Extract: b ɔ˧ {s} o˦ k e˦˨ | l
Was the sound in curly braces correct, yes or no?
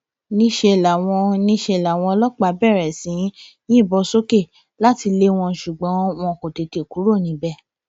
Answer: yes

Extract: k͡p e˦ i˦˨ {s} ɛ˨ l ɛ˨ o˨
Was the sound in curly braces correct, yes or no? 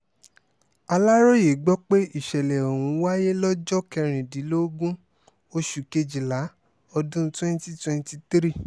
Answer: no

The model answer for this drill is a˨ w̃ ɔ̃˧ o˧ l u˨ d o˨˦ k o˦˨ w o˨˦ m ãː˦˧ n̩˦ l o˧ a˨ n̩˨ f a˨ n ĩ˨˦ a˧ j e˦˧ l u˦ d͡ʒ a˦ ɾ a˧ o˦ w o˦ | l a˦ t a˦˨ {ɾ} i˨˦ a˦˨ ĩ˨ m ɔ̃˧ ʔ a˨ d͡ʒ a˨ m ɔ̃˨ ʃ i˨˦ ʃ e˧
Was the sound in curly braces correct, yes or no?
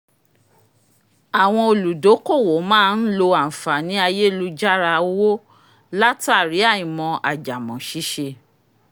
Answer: yes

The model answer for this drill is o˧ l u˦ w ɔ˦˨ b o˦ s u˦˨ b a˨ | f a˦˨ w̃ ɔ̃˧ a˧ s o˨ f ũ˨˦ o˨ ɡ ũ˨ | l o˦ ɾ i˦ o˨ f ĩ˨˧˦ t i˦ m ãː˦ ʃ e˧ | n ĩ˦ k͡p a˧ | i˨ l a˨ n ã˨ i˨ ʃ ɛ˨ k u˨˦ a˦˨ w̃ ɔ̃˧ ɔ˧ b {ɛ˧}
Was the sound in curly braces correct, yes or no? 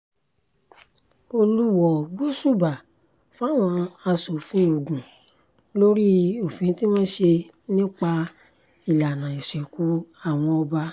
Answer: no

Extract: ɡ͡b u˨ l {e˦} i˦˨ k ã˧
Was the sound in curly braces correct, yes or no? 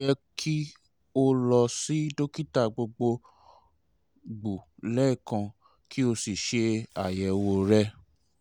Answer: no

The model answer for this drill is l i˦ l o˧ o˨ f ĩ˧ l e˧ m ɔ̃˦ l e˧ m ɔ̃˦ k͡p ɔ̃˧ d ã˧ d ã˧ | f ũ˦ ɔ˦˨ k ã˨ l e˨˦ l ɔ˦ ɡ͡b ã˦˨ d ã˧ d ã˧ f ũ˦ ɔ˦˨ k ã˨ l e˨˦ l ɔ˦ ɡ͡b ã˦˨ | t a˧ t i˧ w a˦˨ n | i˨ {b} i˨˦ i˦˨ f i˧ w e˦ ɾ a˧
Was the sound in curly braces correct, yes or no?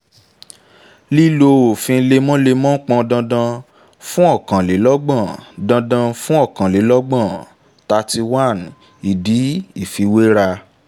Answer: no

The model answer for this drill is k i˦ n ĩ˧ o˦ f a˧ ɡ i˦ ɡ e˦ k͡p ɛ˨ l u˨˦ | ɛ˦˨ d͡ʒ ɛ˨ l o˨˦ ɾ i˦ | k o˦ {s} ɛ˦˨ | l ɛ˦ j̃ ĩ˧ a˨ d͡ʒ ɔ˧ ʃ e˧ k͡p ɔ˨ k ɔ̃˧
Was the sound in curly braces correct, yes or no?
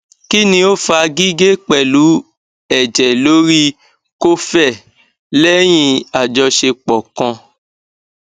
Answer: no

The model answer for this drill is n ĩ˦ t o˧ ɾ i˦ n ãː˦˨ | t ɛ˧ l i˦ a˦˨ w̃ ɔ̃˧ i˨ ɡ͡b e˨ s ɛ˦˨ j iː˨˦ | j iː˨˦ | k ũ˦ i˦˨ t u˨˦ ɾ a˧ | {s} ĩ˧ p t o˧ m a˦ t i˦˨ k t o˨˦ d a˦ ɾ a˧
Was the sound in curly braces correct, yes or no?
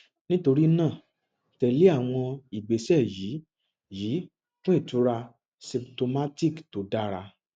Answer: yes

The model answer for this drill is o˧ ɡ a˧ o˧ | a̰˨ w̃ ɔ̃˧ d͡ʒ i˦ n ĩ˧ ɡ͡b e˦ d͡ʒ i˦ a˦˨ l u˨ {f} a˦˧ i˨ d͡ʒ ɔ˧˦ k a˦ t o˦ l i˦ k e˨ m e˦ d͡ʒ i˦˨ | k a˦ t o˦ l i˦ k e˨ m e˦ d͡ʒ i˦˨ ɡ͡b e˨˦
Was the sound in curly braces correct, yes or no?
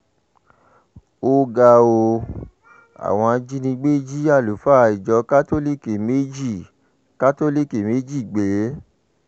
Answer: yes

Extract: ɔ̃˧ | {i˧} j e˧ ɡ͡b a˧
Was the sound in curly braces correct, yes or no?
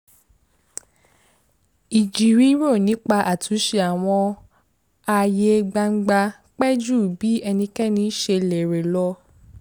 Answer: no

